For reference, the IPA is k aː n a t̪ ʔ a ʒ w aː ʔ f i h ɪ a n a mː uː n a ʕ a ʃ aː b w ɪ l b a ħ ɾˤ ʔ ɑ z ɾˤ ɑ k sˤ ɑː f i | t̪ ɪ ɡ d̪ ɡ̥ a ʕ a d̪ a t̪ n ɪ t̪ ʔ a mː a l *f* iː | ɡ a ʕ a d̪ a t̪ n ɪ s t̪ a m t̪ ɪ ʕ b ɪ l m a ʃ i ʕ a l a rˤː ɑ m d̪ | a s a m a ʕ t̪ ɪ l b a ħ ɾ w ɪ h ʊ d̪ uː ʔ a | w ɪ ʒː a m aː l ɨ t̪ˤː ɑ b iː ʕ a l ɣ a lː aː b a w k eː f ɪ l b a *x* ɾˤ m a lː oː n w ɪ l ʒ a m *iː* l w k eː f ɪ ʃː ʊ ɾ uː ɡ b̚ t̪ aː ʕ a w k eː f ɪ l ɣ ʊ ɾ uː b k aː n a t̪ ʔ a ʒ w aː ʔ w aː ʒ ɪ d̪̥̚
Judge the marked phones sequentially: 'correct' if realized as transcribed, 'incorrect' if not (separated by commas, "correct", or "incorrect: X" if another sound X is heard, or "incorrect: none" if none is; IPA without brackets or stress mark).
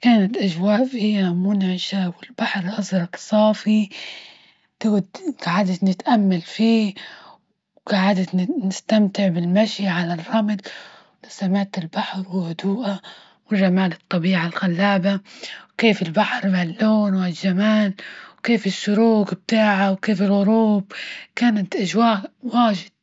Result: correct, incorrect: ħ, incorrect: aː